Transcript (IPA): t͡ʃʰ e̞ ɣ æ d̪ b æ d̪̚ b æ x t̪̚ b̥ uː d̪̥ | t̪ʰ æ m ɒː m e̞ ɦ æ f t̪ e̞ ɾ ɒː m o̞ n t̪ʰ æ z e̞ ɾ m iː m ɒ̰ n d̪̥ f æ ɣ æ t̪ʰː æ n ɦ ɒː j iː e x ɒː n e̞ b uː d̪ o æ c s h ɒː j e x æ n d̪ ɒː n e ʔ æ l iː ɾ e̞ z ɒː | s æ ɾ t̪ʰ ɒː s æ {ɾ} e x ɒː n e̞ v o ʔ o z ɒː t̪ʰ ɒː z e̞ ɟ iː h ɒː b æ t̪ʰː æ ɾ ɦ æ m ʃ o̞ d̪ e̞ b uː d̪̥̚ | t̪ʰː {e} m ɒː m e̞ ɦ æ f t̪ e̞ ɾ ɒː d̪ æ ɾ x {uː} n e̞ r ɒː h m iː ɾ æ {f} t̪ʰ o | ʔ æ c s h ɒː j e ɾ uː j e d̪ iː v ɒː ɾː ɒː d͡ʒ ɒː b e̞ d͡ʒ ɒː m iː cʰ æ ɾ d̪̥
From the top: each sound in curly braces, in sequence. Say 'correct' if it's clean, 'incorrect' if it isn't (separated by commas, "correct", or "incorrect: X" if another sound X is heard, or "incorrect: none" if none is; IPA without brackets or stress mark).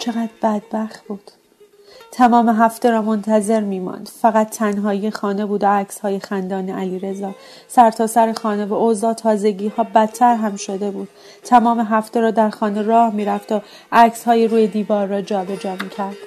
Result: correct, incorrect: æ, incorrect: ɒː, correct